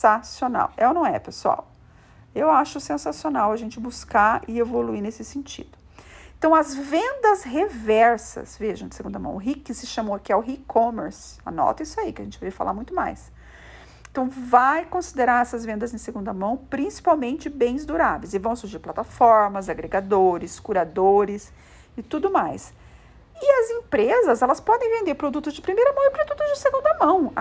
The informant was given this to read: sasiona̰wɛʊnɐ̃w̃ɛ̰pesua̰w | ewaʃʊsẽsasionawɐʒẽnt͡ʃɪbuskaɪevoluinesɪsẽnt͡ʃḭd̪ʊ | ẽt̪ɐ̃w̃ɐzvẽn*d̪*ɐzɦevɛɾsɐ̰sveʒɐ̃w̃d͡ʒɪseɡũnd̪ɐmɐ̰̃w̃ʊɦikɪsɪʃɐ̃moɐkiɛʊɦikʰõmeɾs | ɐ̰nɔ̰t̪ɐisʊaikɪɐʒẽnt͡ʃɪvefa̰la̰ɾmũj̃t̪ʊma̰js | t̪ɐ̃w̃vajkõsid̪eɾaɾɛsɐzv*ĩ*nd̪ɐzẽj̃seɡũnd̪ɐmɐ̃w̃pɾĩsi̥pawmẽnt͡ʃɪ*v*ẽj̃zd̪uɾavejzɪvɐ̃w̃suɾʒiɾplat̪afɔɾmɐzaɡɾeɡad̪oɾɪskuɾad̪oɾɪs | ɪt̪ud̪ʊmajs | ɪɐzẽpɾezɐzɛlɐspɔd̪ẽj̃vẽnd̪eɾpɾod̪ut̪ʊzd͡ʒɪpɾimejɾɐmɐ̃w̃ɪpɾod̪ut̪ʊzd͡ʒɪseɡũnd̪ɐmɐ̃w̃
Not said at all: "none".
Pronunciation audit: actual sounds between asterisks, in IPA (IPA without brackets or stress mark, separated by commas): d̪, ẽ, b